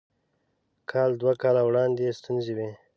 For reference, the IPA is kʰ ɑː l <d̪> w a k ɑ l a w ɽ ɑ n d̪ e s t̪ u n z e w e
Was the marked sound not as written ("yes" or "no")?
no